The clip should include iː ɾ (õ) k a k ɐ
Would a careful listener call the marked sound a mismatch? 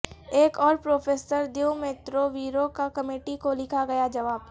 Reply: yes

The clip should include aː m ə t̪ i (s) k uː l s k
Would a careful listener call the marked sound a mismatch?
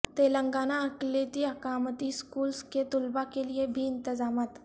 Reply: no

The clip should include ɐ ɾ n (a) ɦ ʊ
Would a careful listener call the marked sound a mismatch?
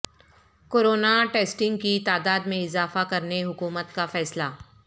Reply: yes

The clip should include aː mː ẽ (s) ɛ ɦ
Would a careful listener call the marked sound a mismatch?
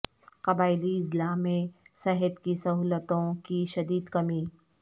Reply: no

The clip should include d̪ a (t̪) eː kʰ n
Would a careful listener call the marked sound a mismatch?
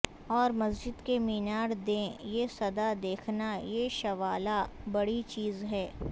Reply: yes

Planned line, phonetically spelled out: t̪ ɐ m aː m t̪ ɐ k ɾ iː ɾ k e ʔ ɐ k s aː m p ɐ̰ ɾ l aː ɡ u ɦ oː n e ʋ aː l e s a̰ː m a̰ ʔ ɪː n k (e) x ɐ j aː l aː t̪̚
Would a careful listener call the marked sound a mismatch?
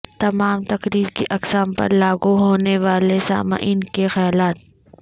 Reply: no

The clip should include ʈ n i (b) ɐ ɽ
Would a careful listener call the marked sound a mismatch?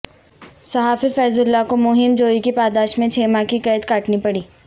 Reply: yes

